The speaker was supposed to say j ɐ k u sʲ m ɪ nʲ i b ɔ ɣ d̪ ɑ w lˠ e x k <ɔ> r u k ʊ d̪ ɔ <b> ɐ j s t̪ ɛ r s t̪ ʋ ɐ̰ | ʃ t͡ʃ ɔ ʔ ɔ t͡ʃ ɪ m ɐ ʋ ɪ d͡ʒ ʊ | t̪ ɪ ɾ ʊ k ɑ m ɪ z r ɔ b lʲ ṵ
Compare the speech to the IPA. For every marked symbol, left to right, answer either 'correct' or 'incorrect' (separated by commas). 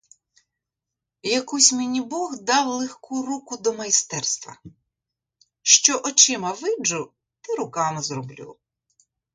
incorrect, incorrect